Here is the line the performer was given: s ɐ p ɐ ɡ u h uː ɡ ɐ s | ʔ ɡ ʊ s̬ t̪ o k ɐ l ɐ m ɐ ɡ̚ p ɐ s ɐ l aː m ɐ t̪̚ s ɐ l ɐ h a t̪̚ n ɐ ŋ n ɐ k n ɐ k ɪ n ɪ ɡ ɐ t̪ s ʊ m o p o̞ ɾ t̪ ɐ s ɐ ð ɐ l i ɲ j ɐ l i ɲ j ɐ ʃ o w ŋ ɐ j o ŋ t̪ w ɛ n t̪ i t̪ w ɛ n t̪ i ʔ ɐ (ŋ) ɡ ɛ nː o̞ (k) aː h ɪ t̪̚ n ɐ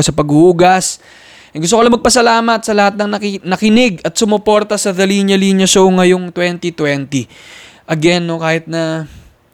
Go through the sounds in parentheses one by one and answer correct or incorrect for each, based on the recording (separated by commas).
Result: incorrect, correct